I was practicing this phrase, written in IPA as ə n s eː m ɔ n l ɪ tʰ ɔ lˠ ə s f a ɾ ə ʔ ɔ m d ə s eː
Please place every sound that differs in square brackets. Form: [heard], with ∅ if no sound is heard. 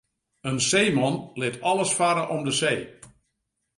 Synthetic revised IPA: ə n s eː m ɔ n l ɪ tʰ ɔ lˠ ə s f a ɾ ə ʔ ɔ m d ə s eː